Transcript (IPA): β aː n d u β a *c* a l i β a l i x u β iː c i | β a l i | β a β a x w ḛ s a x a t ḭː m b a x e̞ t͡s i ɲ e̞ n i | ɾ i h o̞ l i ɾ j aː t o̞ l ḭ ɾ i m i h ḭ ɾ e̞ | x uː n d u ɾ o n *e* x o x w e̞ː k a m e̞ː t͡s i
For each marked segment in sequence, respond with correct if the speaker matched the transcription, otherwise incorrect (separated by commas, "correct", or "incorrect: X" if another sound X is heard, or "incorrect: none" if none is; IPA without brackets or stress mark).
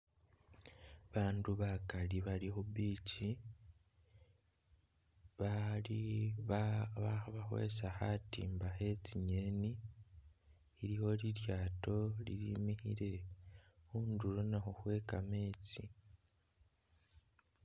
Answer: incorrect: k, incorrect: a